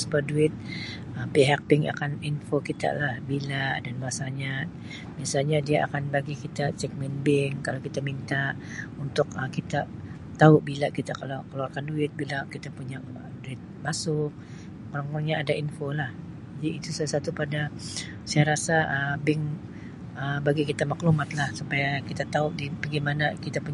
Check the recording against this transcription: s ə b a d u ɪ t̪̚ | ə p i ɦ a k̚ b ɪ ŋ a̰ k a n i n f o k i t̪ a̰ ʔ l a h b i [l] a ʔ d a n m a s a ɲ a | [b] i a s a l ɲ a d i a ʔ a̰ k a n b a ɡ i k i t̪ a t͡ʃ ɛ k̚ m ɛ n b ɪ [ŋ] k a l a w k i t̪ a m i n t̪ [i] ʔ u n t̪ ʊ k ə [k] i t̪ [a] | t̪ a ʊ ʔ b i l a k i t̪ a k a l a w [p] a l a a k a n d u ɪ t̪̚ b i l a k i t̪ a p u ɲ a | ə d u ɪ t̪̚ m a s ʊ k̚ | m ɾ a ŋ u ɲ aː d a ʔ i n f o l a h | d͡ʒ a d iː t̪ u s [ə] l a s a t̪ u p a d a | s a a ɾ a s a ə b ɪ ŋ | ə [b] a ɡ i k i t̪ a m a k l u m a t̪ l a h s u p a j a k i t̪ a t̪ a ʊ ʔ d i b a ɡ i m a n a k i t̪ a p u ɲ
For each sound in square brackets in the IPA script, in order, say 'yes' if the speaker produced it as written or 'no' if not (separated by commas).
yes, yes, yes, no, yes, yes, no, no, yes